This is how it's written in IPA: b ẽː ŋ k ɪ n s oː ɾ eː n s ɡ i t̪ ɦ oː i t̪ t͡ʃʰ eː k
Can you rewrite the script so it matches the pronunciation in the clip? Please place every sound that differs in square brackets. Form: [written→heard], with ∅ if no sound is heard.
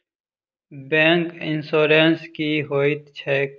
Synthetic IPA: b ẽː ŋ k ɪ n s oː ɾ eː n s [ɡ→k] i [t̪→∅] ɦ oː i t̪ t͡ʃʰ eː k